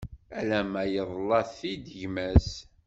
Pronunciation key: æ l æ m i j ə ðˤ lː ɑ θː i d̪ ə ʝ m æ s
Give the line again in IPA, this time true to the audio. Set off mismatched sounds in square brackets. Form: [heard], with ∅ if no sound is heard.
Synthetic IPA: æ l æ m [æ] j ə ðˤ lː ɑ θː i d̪ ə ʝ m æ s